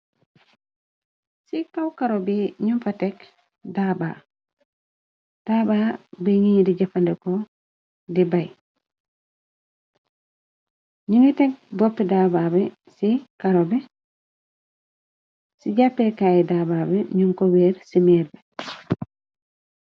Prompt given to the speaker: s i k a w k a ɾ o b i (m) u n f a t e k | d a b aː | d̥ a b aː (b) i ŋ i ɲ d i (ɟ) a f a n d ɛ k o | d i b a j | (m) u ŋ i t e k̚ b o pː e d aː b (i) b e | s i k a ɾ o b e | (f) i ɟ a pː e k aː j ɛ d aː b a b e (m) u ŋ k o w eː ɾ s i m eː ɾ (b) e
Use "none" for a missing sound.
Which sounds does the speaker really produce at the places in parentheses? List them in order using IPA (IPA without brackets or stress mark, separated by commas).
ɲ, b, ɟ, ɲ, a, s, ɲ, b